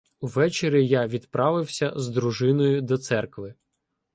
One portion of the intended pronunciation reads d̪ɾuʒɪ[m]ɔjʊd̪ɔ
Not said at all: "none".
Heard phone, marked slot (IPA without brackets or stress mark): n